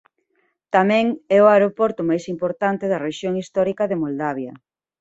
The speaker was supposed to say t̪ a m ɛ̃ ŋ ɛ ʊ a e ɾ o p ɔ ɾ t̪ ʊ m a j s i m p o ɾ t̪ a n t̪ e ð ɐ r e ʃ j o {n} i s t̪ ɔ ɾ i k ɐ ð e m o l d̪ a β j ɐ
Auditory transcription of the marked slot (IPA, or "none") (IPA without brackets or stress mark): ŋ